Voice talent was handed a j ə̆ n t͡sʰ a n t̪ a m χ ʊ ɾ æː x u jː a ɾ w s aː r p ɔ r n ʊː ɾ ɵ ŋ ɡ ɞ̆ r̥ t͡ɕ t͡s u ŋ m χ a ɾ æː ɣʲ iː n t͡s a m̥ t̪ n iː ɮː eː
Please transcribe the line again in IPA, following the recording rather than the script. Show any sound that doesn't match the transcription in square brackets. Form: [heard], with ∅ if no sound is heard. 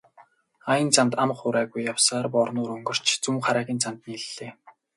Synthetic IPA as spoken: a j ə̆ n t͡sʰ a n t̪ a m χ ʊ ɾ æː [ɣ] u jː a [∅] w s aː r p ɔ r n ʊː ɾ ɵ ŋ ɡ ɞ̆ r̥ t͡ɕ t͡s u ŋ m χ a ɾ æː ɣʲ iː n t͡s a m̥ t̪ n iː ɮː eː

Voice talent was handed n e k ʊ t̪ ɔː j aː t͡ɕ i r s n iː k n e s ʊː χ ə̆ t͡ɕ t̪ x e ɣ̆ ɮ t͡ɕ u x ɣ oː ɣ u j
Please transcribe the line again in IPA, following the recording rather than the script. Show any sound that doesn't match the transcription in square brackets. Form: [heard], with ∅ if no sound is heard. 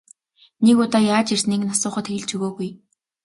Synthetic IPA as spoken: n e k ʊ t̪ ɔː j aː t͡ɕ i r s n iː k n [a] s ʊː χ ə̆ [∅] t̪ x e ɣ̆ ɮ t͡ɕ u [∅] ɣ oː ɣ u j

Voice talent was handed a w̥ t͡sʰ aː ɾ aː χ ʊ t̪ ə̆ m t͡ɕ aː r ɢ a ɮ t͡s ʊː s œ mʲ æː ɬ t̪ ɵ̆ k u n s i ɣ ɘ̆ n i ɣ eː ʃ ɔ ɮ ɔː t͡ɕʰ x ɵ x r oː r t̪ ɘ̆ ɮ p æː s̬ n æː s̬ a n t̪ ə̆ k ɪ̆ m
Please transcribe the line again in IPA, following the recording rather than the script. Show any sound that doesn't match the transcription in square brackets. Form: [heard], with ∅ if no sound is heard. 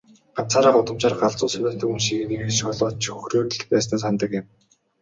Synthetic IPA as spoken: a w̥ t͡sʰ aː ɾ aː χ ʊ t̪ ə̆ m t͡ɕ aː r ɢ a ɮ t͡s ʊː s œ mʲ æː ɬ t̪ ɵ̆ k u n [ʃ] i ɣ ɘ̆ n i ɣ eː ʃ ɔ ɮ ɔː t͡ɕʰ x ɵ x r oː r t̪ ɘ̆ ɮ p æː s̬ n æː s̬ a n t̪ ə̆ k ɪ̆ m

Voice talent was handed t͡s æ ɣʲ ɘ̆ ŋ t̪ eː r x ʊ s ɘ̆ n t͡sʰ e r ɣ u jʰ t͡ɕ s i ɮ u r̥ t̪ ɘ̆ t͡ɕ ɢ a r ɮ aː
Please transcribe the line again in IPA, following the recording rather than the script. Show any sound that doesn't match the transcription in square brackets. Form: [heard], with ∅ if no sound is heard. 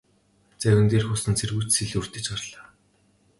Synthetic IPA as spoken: t͡s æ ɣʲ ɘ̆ [n] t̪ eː r x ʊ s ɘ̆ n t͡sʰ e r ɣ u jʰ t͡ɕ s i ɮ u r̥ t̪ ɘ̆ t͡ɕ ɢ a r ɮ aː

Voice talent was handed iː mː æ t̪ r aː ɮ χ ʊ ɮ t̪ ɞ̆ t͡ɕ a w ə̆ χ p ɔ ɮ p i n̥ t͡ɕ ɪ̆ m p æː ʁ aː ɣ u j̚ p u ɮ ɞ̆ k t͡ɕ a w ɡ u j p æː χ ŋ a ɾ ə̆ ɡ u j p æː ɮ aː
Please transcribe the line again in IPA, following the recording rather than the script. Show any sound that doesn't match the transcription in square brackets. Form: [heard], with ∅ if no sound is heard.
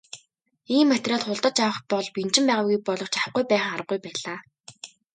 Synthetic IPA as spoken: iː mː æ t̪ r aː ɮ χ ʊ ɮ t̪ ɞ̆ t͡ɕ a w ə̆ χ p ɔ ɮ p i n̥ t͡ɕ ɪ̆ m p æː ʁ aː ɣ u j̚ p [ɔ] ɮ ɞ̆ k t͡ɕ a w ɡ u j p æː χ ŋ a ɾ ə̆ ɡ u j p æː ɮ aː

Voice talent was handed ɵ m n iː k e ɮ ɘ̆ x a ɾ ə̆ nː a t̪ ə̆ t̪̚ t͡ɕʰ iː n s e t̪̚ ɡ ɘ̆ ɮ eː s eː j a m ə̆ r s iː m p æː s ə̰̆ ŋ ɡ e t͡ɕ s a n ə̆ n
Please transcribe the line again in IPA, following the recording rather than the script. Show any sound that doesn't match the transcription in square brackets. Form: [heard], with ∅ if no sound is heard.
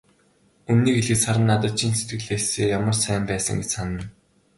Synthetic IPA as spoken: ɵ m n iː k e ɮ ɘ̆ [s] a ɾ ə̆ nː a t̪ ə̆ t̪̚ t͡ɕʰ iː n s e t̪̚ ɡ ɘ̆ ɮ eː s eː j a m ə̆ r s [æː] m p æː s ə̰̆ ŋ ɡ e t͡ɕ s a n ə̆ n

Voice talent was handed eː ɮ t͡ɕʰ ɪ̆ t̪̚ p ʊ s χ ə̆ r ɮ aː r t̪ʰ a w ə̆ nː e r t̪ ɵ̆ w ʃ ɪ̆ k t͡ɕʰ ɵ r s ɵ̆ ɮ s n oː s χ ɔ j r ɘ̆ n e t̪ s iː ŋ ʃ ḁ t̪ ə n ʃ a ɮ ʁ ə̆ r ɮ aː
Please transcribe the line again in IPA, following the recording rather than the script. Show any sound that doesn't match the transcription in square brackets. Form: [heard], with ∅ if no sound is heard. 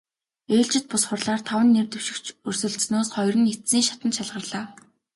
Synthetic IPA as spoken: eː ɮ [t͡ɕ] ɪ̆ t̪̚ p ʊ s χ ə̆ r ɮ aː r t̪ʰ a w ə̆ nː e r t̪ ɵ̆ w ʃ ɪ̆ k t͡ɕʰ ɵ r s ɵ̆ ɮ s n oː s χ ɔ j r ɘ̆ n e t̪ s iː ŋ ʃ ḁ t̪ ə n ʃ a ɮ ʁ ə̆ r ɮ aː

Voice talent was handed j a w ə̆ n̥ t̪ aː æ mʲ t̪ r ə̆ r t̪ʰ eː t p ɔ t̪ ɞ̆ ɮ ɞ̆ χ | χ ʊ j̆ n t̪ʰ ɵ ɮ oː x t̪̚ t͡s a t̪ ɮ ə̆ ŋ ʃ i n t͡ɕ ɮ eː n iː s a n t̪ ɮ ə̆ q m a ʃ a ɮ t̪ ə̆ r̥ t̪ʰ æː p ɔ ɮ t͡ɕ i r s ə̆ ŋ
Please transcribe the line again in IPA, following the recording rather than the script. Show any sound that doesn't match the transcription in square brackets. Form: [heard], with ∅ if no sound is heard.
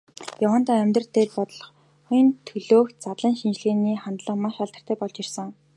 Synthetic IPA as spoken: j a w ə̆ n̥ t̪ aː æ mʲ t̪ r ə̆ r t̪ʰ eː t p ɔ t̪ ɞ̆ ɮ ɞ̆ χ | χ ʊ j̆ n t̪ʰ ɵ ɮ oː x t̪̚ t͡s a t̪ ɮ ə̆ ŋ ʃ i n t͡ɕ ɮ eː n iː [χ] a n t̪ ɮ ə̆ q m a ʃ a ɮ t̪ ə̆ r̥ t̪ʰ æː p ɔ ɮ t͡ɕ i r s ə̆ ŋ

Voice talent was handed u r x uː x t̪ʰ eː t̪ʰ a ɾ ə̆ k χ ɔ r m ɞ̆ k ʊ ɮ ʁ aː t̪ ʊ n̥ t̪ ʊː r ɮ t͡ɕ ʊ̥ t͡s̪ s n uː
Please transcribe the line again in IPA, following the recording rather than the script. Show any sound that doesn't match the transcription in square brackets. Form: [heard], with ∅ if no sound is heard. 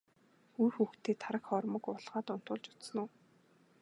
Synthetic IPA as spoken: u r x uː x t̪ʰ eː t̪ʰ a ɾ ə̆ k χ ɔ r m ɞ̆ k ʊ ɮ ʁ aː t̪ ʊ n̥ t̪ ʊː [∅] ɮ t͡ɕ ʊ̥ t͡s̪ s n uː

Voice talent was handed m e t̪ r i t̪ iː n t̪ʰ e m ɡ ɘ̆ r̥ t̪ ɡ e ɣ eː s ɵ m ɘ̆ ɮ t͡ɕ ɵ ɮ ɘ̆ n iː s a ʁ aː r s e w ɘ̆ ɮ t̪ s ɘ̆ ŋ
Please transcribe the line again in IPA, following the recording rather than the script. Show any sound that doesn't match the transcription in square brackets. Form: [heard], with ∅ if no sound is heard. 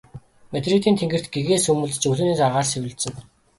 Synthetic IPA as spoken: m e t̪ r i t̪ iː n t̪ʰ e [ŋ] ɡ ɘ̆ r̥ t̪ ɡ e ɣ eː s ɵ m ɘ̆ ɮ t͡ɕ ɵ ɮ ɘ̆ n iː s a ʁ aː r s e w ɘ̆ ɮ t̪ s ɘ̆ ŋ

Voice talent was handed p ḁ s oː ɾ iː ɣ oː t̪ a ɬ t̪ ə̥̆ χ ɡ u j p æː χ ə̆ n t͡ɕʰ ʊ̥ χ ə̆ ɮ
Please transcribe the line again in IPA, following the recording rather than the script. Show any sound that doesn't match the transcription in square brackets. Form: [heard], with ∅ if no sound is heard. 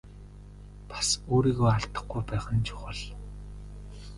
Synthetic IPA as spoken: p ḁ s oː ɾ iː ɣ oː [∅] a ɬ t̪ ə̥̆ χ ɡ u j p æː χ ə̆ n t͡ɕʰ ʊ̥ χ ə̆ ɮ

